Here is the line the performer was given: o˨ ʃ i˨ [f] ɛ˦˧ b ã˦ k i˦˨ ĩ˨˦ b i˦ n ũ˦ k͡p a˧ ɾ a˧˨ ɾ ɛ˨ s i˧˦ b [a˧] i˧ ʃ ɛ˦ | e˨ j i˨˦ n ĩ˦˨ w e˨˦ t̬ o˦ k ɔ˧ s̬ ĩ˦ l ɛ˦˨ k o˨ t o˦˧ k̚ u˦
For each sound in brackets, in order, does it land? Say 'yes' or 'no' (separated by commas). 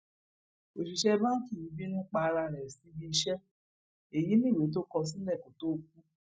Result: no, no